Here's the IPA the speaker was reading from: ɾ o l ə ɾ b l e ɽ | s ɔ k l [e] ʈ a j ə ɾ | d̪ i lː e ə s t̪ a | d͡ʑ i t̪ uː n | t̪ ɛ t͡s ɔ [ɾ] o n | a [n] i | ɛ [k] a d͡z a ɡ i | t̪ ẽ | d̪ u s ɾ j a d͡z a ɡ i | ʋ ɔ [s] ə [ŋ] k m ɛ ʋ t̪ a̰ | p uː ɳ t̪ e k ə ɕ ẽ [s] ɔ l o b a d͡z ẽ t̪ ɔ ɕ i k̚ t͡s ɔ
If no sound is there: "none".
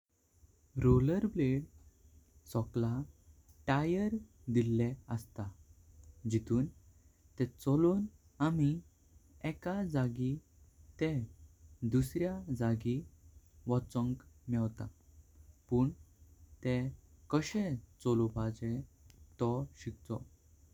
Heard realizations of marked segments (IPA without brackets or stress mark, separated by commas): a, l, m, k, t͡s, ŋ, t͡s